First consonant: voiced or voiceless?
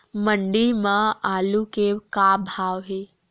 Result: voiced